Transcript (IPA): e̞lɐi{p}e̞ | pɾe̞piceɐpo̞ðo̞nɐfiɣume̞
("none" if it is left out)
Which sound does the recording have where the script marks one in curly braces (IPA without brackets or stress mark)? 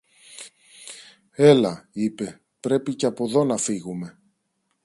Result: p